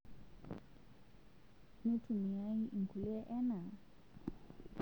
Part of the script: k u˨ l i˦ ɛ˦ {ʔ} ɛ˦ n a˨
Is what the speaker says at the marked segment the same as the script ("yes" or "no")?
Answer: yes